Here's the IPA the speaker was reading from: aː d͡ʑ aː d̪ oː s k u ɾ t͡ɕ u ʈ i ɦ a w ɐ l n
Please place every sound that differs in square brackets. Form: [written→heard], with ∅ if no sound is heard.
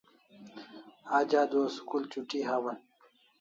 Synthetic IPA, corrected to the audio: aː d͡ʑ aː d̪ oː s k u [ɾ→l] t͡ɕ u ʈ i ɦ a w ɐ [l→∅] n